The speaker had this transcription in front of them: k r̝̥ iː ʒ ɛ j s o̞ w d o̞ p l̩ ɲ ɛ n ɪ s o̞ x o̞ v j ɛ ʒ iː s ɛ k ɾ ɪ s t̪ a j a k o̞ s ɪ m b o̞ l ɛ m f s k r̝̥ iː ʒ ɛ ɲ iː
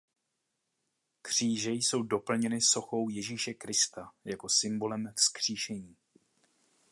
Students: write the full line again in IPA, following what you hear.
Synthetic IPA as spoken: k r̝̥ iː ʒ ɛ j s o̞ w d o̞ p l̩ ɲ ɛ n ɪ s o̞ x o̞ w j ɛ ʒ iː ʃ ɛ k ɾ ɪ s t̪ a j a k o̞ s ɪ m b o̞ l ɛ m f s k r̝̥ iː ʃ ɛ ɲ iː